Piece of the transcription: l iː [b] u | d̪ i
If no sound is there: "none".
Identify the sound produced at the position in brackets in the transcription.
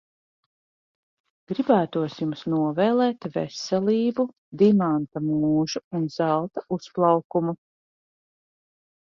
b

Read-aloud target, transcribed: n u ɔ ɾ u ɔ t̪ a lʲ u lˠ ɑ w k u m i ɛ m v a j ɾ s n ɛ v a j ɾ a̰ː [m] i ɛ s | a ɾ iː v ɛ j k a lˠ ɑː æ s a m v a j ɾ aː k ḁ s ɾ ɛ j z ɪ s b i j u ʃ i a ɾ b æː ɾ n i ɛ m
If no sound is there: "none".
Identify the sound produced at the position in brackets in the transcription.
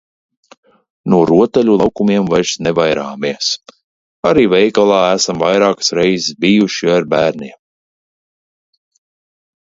m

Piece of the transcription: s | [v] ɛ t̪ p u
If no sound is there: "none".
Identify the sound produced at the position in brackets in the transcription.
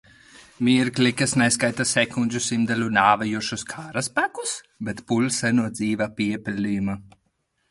b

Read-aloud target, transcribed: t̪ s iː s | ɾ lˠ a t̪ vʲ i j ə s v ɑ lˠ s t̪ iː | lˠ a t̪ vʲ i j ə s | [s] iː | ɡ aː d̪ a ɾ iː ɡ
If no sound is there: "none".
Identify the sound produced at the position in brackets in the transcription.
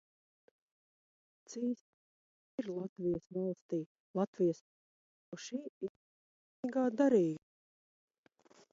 ʃ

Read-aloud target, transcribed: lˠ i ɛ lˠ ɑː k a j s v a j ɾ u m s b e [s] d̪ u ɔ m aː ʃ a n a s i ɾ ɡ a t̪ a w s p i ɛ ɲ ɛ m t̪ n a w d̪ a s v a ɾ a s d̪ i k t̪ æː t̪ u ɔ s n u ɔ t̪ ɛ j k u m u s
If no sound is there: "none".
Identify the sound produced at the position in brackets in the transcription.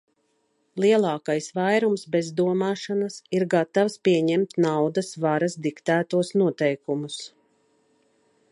z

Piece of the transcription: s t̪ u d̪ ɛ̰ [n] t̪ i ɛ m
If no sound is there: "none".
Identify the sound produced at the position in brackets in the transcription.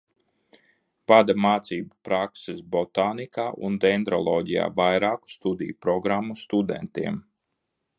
n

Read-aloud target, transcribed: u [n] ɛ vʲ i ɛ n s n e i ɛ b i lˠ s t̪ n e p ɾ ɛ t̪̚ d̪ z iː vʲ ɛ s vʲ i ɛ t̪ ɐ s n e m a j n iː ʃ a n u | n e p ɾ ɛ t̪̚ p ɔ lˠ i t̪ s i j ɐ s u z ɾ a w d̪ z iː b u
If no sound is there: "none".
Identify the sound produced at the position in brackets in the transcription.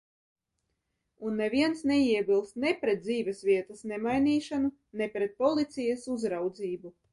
nː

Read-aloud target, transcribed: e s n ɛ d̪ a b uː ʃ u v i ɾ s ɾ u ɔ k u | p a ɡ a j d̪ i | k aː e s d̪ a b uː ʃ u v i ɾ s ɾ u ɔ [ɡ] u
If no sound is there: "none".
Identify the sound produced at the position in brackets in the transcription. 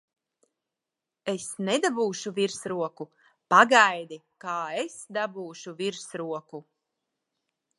k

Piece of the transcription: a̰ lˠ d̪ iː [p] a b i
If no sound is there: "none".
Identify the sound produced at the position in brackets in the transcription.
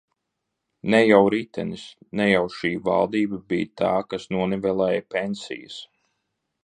b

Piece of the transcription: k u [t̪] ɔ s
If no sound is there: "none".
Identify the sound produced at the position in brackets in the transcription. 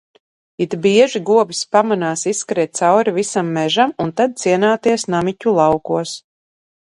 none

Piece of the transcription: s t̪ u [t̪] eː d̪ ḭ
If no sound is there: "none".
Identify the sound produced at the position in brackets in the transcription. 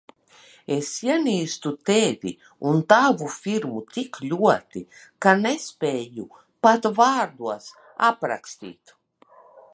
t̪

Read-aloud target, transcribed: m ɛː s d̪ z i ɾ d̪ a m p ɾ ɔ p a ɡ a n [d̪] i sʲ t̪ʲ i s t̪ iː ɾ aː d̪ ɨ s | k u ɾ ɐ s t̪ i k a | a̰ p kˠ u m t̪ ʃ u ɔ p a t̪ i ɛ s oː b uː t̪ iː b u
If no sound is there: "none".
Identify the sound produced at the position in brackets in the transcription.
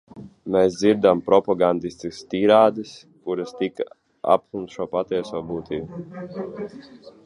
d̪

